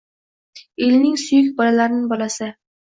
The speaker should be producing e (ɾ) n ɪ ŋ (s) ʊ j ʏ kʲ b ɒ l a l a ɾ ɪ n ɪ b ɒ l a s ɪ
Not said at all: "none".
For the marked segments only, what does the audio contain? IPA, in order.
l, s

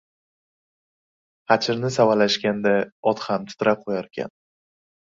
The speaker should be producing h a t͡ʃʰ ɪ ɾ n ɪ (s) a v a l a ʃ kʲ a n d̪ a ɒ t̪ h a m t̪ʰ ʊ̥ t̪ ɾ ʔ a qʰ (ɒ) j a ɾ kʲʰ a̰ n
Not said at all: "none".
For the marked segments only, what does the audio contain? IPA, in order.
s, o

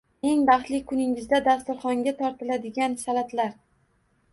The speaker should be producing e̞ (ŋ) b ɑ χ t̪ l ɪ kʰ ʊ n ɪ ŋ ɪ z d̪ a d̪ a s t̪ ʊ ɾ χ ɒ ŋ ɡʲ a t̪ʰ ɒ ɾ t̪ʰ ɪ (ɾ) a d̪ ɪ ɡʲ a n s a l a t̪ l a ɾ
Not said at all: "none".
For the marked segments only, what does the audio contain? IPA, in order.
ŋ, l

